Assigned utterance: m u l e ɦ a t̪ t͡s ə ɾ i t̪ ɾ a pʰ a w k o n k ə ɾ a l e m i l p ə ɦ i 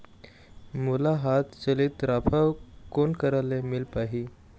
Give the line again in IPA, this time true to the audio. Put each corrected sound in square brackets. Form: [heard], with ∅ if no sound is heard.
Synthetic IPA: m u l [a] ɦ a t̪ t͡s ə [l] i t̪ ɾ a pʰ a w k o n k ə ɾ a l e m i l p [a] ɦ i